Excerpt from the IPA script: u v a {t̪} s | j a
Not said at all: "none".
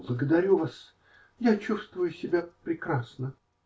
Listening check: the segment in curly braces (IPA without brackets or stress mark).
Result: none